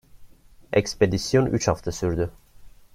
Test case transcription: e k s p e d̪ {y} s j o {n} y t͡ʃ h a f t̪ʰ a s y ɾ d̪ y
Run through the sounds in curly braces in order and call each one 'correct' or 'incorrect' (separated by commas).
incorrect, correct